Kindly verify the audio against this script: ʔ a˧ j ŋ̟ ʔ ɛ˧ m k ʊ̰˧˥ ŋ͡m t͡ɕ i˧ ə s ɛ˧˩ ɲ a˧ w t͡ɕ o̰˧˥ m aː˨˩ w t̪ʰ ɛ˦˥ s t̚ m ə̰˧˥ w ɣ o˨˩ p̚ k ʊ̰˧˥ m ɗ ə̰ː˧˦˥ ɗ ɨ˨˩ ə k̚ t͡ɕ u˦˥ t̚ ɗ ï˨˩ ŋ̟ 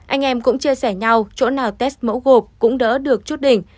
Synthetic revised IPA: ʔ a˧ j ŋ̟ ʔ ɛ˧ m k ʊ̰˧˥ ŋ͡m t͡ɕ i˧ ə s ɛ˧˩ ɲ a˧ w t͡ɕ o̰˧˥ n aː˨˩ w t̪ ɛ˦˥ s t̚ m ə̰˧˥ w ɣ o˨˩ p̚ k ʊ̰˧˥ ŋ͡m ɗ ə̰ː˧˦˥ ɗ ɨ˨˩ ə k̚ t͡ɕ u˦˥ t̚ ɗ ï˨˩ ŋ̟